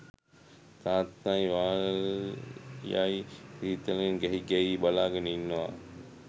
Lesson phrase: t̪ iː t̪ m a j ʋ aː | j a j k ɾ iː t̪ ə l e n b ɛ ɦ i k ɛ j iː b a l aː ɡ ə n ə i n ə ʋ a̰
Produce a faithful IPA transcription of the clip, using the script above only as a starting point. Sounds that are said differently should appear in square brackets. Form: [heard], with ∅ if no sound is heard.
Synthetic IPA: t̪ [aː] t̪ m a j ʋ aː | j a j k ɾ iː t̪ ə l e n [ɡ] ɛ ɦ i [ɡ] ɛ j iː b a l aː ɡ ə n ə i [nː] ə ʋ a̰